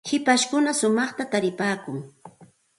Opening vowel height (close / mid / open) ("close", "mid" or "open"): close